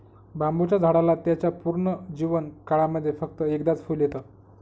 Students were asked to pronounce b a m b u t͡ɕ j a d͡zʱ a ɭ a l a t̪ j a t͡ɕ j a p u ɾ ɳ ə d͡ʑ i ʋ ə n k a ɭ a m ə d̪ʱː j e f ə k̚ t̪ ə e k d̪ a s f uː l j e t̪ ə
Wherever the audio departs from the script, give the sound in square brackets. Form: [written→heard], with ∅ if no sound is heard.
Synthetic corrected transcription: b a m b u t͡ɕ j a d͡zʱ a [ɭ→ɽ] a l a t̪ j a t͡ɕ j a p u ɾ ɳ ə d͡ʑ i ʋ ə n k a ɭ a m ə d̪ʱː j e f ə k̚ t̪ ə e k d̪ a [s→t͡s] f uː l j e t̪ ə